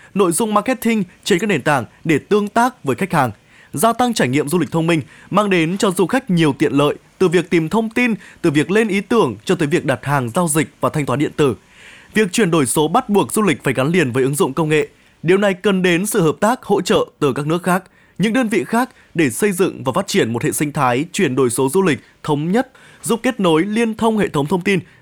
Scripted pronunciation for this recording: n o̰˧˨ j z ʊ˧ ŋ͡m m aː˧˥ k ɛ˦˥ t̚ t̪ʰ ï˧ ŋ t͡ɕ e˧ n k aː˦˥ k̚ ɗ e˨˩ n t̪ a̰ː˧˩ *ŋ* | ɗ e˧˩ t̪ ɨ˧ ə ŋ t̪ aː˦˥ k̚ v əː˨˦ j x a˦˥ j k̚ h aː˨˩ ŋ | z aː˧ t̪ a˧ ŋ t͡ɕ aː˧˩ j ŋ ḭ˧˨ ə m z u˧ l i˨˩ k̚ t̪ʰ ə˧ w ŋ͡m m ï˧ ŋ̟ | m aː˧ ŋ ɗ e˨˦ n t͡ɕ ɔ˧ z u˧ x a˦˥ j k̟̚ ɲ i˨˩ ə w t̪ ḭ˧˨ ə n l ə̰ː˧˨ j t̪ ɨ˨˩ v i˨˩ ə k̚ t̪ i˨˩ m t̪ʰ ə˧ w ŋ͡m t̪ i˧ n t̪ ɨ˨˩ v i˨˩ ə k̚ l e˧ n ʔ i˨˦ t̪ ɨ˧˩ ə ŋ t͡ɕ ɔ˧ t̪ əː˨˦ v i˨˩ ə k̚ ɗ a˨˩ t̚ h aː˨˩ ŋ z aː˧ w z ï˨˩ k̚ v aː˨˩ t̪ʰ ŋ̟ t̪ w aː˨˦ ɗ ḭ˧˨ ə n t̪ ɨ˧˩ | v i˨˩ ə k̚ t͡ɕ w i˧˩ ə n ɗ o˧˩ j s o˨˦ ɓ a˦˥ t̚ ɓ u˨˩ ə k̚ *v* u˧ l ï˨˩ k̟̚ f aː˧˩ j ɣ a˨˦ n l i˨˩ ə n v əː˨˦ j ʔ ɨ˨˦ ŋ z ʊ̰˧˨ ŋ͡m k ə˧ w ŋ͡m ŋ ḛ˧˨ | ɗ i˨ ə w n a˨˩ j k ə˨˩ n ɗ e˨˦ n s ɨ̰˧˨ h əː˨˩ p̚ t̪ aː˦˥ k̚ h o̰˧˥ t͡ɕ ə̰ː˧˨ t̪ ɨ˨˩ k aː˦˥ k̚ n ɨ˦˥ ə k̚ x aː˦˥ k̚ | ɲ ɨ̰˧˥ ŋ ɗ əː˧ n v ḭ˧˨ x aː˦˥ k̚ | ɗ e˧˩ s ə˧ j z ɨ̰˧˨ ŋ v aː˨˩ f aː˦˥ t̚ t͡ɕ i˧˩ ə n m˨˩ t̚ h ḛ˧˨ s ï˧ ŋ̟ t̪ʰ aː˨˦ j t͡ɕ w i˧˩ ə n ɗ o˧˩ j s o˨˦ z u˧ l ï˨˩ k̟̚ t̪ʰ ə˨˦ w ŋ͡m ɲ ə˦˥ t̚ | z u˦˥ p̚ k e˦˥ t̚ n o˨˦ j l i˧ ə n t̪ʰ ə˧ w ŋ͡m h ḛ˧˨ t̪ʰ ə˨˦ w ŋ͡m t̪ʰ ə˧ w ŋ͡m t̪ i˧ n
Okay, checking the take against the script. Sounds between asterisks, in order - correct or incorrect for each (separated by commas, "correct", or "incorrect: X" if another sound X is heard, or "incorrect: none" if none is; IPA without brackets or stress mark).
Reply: correct, incorrect: z